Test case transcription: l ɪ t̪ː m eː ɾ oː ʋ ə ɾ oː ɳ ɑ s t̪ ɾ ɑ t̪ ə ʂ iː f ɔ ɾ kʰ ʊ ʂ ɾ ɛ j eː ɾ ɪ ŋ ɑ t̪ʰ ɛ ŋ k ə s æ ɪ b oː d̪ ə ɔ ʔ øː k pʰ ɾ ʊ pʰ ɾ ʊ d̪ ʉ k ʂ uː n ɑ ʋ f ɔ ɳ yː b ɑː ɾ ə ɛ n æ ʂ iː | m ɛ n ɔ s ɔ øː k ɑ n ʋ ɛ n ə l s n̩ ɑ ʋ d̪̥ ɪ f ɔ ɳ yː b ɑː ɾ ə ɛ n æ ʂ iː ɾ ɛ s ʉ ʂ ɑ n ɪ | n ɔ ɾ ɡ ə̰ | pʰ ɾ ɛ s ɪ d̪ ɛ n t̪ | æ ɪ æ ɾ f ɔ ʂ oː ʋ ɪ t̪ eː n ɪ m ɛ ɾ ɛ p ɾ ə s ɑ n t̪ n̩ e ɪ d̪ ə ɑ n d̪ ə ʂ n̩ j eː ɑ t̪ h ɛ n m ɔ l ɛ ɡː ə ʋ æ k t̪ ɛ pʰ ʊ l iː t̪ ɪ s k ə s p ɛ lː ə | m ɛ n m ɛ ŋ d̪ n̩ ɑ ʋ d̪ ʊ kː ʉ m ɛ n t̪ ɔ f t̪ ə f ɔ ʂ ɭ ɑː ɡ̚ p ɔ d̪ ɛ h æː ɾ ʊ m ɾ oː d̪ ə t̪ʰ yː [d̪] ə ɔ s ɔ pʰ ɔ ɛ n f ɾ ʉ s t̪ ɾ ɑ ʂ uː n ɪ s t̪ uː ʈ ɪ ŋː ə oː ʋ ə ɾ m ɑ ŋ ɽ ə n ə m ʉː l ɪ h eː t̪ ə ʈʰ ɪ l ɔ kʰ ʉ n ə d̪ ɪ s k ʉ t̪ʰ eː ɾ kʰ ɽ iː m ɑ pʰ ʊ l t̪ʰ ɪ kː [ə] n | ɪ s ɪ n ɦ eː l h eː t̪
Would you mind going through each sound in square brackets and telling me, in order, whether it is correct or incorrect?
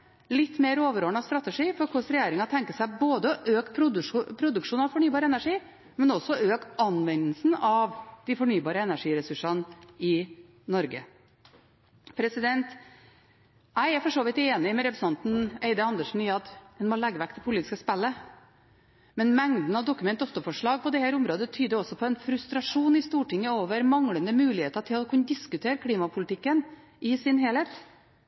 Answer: correct, correct

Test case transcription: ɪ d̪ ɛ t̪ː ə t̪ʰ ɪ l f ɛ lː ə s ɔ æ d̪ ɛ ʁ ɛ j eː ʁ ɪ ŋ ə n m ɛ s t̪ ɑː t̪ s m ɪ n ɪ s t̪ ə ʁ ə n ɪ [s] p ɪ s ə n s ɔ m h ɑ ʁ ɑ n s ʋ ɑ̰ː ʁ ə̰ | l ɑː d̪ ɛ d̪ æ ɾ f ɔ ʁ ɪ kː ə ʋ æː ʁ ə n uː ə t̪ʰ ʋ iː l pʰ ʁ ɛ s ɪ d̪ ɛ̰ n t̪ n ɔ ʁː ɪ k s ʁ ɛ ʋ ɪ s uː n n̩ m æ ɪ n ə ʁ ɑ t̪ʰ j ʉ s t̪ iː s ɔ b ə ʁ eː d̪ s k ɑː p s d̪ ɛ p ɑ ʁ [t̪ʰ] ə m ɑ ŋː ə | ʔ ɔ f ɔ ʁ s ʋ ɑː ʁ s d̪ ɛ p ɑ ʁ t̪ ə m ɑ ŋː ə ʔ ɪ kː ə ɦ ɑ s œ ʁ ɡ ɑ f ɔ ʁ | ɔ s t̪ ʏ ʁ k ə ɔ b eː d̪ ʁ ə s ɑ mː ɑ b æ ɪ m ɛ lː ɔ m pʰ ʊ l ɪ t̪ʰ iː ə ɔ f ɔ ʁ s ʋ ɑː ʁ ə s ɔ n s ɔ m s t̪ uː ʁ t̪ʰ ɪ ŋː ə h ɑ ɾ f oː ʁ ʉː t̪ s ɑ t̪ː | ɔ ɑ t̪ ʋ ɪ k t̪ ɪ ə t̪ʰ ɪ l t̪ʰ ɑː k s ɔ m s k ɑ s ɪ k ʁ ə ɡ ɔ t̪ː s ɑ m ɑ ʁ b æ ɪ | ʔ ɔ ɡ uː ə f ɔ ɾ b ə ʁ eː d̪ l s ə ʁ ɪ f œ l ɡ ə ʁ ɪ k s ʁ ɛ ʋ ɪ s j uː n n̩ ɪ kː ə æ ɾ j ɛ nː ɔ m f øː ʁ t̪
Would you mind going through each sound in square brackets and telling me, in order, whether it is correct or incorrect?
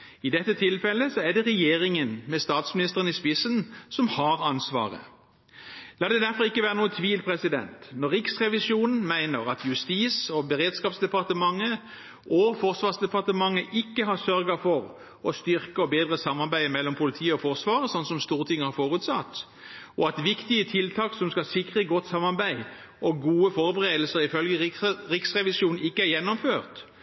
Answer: correct, incorrect: t̪

